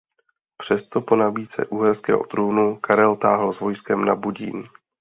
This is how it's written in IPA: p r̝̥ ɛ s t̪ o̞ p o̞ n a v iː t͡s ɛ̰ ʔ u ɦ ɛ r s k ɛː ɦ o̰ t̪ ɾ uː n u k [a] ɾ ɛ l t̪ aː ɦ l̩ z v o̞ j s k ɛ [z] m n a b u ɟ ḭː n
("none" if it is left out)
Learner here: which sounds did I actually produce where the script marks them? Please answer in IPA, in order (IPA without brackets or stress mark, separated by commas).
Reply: a, none